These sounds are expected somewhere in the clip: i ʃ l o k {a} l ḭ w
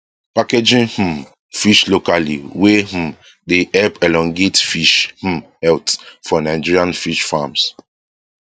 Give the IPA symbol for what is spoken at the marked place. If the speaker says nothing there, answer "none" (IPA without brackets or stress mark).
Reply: a